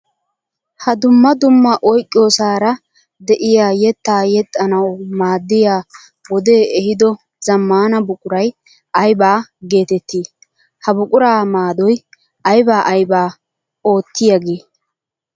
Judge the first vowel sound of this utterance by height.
low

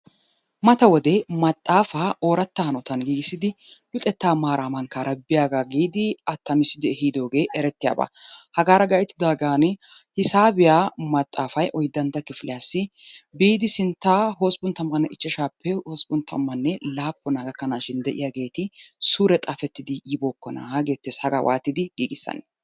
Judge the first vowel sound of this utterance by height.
low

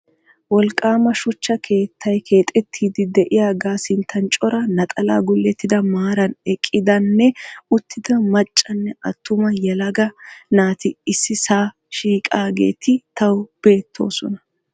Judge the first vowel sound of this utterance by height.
mid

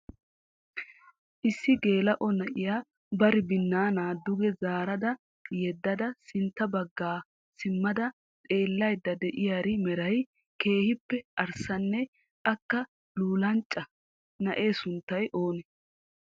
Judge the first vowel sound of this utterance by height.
high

